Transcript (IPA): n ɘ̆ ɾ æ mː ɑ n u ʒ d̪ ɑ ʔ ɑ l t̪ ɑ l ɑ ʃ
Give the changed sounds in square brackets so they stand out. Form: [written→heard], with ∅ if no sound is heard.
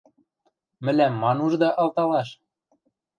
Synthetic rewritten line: [n→m] ɘ̆ [ɾ→l] æ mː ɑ n u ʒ d̪ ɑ ʔ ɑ l t̪ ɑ l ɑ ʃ